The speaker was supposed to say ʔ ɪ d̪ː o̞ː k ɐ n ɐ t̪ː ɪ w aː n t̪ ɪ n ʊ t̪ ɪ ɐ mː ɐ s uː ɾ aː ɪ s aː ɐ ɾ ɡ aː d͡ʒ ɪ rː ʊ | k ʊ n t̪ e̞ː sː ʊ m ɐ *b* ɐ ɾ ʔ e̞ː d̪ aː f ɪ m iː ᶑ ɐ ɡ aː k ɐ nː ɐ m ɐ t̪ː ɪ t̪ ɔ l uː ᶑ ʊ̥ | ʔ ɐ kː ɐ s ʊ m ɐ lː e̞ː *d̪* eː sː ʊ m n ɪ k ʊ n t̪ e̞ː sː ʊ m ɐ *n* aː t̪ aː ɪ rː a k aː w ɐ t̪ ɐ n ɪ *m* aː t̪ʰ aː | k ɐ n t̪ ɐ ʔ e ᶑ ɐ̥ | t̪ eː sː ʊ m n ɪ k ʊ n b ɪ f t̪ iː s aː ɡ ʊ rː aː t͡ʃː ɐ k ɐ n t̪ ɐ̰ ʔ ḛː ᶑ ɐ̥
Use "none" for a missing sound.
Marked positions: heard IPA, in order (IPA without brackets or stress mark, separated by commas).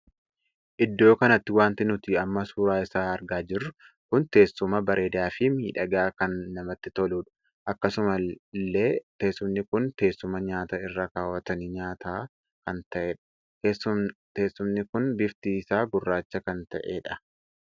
b, t̪, ɲ, ɲ